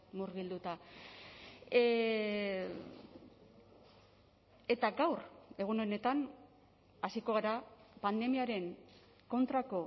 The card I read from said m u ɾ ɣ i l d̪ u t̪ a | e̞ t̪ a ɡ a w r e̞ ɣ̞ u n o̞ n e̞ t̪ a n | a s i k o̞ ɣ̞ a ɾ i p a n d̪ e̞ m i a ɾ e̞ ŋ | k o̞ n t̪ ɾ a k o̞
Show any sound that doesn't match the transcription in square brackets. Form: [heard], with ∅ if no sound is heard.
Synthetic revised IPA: m u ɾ ɣ i l d̪ u t̪ a | e̞ t̪ a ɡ a w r e̞ ɣ̞ u n o̞ n e̞ t̪ a n | a s i k o̞ ɣ̞ a ɾ [a] p a n d̪ e̞ m i a ɾ e̞ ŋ | k o̞ n t̪ ɾ a k o̞